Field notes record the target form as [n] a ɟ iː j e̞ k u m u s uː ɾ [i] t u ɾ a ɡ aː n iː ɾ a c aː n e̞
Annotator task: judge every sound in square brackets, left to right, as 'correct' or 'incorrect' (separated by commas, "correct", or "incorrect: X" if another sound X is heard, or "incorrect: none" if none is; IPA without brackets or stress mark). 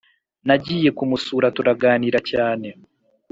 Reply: correct, incorrect: a